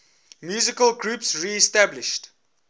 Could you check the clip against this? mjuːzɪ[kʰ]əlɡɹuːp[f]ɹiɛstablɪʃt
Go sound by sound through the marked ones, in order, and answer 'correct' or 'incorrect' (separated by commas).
incorrect, incorrect